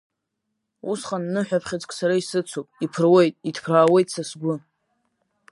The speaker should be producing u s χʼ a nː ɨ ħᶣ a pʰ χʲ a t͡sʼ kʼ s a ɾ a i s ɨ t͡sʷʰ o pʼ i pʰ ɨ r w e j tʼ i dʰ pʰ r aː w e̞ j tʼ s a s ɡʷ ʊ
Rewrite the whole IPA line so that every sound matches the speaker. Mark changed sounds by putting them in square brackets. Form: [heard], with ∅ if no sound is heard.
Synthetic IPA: u s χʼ a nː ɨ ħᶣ a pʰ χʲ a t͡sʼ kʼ s a ɾ a i s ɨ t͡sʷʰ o pʼ i pʰ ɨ r w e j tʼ i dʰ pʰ r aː w e̞ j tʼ s a s ɡʷ ʊ